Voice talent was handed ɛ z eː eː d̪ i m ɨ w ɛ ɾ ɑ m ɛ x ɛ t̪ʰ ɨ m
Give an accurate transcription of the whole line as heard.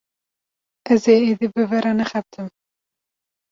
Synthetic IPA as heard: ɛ z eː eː d̪ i b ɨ v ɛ ɾ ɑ n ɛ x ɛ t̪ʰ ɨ m